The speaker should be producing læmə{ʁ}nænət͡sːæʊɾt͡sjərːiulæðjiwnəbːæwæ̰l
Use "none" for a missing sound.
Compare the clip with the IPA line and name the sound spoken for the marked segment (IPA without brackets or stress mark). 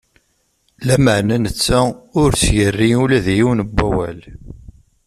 ʕ